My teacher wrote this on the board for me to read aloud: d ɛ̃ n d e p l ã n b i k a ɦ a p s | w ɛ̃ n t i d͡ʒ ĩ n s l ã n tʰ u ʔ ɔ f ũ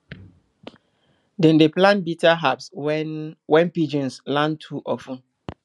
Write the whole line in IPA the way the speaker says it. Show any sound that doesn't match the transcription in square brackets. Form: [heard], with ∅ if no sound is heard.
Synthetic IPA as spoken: d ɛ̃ n d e p l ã n b i [t] a ɦ a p s | w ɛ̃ n [p] i d͡ʒ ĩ n s l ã n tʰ u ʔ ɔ f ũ